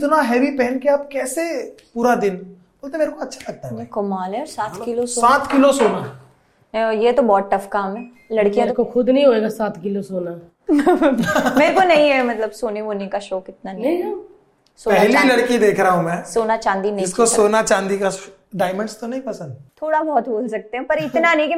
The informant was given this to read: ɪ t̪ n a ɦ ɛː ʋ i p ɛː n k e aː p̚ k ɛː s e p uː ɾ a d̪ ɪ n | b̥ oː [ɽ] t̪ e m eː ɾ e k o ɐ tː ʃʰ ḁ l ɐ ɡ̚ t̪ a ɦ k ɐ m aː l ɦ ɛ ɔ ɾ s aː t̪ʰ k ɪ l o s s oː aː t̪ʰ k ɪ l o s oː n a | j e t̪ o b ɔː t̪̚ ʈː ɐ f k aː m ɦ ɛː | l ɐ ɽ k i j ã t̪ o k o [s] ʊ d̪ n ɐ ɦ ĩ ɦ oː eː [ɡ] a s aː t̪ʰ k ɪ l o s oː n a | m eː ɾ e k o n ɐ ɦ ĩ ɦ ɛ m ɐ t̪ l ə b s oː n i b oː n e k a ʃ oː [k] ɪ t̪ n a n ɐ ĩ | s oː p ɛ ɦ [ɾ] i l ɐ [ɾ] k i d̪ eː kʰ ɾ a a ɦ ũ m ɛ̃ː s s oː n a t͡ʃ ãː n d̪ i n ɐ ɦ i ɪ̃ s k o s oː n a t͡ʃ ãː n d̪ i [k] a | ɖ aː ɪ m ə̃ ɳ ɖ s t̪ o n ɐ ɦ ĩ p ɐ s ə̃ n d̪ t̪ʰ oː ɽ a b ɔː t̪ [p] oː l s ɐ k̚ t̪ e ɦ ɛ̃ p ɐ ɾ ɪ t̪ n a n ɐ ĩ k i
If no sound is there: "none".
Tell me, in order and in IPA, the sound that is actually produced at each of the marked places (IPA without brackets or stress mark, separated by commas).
l, x, ɡ, k, l, ɽ, k, b